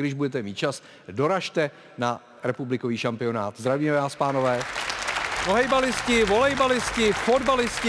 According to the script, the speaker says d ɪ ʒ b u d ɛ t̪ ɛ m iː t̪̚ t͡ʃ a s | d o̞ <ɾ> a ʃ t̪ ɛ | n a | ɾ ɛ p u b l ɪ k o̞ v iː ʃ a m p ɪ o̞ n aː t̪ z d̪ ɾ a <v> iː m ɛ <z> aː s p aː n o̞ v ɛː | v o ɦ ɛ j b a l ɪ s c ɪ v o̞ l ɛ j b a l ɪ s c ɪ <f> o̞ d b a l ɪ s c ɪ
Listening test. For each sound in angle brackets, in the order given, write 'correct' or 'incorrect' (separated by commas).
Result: correct, correct, incorrect, correct